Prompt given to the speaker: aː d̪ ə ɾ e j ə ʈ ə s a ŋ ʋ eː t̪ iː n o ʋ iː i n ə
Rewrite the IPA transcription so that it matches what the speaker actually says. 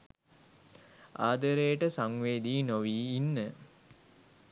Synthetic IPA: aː d̪ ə ɾ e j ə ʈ ə s a ŋ ʋ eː d̪ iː n o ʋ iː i nː ə